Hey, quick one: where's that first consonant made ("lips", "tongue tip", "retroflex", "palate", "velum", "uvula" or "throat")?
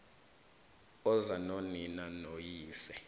tongue tip